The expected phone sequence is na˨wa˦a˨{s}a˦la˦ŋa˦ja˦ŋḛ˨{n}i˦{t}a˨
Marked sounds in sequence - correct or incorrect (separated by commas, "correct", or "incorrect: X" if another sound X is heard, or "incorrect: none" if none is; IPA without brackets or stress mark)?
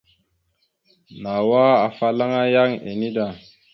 incorrect: f, correct, incorrect: d